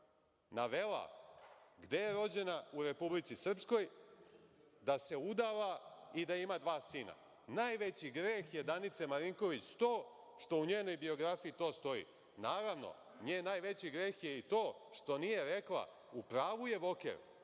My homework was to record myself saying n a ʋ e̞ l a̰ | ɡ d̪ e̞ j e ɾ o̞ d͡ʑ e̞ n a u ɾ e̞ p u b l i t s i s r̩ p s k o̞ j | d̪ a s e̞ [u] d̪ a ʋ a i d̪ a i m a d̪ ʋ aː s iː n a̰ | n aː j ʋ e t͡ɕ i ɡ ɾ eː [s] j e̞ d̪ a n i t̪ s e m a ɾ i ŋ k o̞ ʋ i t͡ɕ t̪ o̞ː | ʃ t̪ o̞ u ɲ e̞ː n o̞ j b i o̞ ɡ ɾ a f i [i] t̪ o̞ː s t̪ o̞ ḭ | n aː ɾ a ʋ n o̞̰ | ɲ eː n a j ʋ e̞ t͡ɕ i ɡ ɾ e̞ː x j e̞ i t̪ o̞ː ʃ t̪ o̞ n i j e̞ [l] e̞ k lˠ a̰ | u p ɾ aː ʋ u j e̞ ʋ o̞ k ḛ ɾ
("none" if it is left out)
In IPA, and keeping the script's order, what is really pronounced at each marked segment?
u, x, i, ɾ

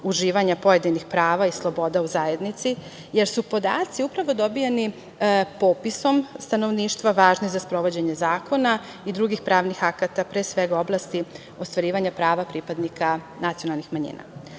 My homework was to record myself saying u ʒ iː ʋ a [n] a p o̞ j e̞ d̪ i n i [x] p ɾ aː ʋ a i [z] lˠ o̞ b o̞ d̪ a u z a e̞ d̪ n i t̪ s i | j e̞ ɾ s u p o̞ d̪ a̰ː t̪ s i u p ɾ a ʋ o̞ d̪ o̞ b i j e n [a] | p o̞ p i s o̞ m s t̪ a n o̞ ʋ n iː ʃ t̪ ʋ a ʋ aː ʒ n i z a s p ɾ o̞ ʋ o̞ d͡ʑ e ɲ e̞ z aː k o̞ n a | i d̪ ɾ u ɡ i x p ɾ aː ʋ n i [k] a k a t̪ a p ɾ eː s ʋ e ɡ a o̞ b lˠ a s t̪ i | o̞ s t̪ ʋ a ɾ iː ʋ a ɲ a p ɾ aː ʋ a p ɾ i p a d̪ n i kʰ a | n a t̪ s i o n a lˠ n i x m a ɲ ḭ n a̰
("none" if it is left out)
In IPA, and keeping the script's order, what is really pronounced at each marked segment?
ɲ, x, s, i, x

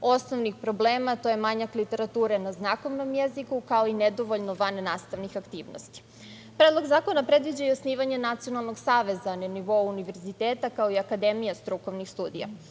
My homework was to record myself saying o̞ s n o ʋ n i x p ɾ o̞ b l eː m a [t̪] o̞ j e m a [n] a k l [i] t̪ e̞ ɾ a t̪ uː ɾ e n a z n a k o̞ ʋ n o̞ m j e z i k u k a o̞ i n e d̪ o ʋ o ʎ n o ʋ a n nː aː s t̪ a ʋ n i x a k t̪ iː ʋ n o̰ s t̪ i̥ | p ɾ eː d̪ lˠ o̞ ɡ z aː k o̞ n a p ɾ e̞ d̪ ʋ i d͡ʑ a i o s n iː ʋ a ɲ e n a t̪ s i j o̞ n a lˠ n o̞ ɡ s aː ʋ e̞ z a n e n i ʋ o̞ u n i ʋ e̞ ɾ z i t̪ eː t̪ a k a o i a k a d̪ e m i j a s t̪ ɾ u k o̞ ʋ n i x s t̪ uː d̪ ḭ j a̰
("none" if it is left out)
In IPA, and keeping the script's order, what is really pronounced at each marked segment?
t̪, ɲ, i

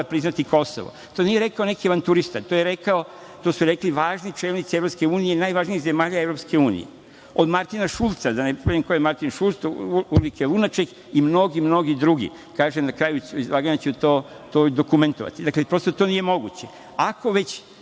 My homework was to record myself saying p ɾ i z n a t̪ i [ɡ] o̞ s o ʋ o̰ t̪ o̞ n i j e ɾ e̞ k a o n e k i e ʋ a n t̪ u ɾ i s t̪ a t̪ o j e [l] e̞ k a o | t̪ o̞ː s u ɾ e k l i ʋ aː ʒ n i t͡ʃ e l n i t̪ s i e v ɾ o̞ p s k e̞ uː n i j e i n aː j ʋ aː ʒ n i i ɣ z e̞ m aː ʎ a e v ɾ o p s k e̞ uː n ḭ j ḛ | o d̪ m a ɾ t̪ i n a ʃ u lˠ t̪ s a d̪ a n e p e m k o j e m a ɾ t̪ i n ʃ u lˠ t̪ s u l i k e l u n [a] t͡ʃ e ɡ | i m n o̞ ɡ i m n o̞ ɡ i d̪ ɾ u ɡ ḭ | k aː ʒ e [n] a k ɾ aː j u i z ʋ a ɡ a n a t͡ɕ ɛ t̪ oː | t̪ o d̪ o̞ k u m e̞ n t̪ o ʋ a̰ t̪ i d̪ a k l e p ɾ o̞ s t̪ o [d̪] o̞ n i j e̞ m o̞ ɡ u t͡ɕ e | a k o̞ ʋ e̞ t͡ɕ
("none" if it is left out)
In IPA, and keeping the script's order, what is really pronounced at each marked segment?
k, ɾ, a, n, t̪

